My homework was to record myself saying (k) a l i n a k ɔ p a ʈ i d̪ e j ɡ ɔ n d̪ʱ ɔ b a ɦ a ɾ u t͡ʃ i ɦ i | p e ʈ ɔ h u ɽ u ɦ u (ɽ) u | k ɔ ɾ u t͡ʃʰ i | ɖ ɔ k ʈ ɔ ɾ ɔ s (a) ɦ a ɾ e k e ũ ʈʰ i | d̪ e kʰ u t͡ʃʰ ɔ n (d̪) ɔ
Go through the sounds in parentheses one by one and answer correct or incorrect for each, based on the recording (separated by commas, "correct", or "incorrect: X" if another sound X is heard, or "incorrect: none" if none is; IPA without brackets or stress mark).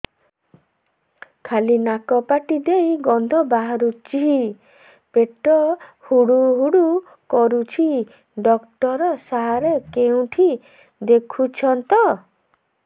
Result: incorrect: kʰ, correct, correct, incorrect: t̪